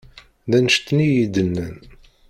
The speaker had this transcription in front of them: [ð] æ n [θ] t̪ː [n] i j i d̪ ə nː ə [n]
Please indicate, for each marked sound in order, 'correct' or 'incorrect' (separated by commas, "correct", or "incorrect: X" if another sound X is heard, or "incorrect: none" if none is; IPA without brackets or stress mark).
correct, incorrect: ʃ, correct, correct